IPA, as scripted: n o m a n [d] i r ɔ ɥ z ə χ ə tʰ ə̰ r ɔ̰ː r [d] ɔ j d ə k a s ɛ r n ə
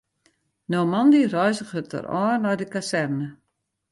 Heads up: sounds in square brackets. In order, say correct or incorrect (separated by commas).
correct, incorrect